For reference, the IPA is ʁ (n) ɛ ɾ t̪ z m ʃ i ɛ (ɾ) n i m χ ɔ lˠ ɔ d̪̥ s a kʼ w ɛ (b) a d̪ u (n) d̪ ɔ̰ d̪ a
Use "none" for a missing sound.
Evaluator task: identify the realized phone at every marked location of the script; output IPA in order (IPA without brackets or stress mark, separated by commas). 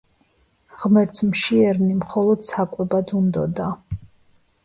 m, ɾ, b, n